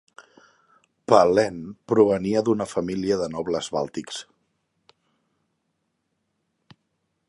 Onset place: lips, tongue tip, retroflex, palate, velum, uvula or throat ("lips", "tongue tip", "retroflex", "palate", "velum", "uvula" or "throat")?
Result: lips